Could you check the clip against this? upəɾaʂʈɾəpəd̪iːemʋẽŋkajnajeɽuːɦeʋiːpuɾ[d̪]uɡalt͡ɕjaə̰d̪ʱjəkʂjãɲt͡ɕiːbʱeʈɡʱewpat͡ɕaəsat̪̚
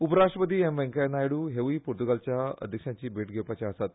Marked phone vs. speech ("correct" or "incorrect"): incorrect